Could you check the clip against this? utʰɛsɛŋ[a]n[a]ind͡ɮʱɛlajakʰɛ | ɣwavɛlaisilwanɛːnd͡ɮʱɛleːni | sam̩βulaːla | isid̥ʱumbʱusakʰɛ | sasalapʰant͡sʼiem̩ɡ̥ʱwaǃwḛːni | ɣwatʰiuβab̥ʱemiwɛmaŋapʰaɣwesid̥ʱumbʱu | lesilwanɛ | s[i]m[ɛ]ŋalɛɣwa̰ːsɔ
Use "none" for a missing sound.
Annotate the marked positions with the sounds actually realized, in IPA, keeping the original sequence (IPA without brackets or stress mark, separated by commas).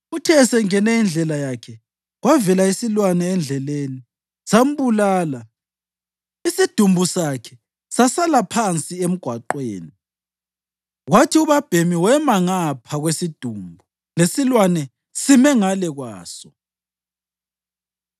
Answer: ɛ, ɛ, i, ɛ